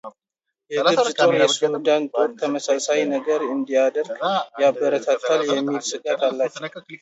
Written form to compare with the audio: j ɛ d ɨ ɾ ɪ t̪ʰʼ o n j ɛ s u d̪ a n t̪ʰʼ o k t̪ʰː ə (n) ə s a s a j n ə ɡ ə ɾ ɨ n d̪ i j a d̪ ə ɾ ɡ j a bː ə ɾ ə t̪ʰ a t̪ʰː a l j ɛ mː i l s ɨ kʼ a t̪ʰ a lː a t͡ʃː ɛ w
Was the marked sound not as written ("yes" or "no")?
yes